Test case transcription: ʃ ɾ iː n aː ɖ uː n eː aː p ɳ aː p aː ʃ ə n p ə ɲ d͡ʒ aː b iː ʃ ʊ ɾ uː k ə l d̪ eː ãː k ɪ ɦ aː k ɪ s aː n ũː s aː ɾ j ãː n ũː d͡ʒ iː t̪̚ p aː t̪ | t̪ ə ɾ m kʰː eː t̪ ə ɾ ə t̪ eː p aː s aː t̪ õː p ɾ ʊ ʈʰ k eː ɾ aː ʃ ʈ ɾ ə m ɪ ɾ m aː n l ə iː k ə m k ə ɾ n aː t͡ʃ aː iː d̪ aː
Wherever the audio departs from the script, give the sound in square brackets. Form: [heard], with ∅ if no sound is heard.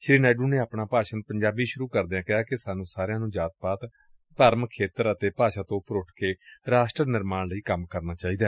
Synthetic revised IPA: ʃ ɾ iː n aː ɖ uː n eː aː p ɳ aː p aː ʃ ə n p ə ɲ d͡ʒ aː b iː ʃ ʊ ɾ uː k ə [ɾ] d̪ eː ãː k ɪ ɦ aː k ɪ s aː n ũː s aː ɾ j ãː n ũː d͡ʒ [aː] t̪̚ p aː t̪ | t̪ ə ɾ m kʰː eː t̪ ə ɾ ə t̪ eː p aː [ʃ] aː t̪ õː p ɾ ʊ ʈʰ k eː ɾ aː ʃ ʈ ɾ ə [n] ɪ ɾ m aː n l ə iː k ə m k ə ɾ n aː t͡ʃ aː iː d̪ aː